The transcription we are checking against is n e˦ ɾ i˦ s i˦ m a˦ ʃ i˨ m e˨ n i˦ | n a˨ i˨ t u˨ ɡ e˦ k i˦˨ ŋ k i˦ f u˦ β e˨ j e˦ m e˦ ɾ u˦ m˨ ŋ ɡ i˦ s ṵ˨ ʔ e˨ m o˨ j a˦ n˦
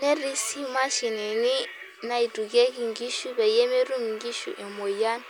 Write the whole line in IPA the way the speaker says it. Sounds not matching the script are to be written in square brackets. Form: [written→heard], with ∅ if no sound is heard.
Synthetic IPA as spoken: n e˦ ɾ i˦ s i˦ m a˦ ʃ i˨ [m→n] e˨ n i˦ | n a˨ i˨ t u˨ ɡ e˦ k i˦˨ ŋ [k→ɡ] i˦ [f→ʃ] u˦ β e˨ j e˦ m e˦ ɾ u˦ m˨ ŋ ɡ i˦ [s→ʃ] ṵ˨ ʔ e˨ m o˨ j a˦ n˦